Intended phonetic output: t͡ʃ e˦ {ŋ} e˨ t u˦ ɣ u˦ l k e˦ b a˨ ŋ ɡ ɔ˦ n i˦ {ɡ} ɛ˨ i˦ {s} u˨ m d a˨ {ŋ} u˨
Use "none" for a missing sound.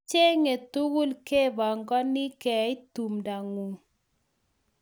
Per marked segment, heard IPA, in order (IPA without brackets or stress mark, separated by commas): ŋ, k, t, ŋ